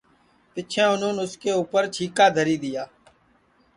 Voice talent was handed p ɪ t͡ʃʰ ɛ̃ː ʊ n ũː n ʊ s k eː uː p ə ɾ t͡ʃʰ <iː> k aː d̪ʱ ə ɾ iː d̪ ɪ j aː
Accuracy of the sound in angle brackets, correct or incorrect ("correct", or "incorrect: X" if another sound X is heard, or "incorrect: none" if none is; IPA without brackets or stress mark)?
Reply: correct